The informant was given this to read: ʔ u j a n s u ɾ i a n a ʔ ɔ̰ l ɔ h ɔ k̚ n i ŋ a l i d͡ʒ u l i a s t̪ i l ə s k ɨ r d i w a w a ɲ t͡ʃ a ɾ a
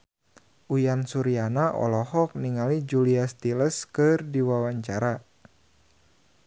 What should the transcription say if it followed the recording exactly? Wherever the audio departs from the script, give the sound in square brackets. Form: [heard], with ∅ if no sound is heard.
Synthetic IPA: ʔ u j a n s u ɾ i a n a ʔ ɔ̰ l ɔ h ɔ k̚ n i ŋ a l i d͡ʒ u l i a s t̪ i l ə s k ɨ r d i w a w a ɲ t͡ʃ a ɾ a